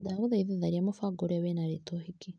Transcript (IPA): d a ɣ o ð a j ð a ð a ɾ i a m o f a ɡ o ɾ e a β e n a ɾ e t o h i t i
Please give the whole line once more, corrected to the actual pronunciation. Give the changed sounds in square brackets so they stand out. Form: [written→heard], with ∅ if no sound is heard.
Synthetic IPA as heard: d a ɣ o ð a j ð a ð a ɾ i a m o f a ɡ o ɾ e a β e n a ɾ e t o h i [t→k] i